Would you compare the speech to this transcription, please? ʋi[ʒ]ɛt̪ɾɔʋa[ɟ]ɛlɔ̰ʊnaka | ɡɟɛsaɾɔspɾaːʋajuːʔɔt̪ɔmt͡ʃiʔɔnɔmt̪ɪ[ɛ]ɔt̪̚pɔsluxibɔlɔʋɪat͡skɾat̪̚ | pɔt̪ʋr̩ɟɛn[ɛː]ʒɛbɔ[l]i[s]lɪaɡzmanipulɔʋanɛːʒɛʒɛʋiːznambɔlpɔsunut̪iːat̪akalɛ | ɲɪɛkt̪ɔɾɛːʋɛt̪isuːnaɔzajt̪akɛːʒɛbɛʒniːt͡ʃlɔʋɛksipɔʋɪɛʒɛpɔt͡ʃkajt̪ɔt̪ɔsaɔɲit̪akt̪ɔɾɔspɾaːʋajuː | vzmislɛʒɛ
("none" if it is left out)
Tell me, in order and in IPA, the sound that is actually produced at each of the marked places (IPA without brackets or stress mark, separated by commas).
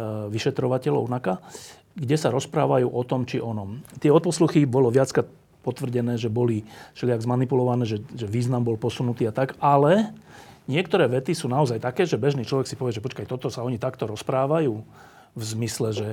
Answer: ʃ, c, ɛ, ɛː, l, ʃ